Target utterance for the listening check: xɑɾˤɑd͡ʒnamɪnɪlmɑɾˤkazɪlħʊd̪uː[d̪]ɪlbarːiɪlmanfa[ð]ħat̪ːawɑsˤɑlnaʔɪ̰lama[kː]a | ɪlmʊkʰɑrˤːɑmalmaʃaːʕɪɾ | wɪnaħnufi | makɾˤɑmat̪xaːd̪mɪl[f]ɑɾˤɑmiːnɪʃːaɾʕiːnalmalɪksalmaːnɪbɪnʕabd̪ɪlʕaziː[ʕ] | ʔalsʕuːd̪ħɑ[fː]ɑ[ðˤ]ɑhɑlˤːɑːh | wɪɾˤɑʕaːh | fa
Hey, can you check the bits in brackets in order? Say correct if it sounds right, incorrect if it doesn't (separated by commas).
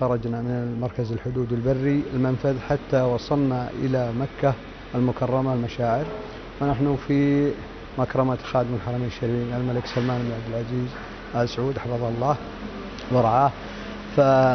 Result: correct, correct, correct, incorrect, incorrect, incorrect, correct